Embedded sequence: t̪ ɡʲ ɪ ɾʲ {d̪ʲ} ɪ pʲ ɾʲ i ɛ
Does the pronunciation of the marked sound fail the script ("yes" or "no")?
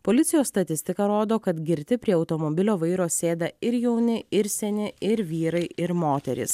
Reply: yes